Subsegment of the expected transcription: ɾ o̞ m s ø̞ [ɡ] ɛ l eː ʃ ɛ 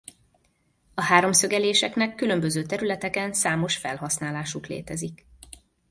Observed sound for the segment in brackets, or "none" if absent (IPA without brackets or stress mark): ɡ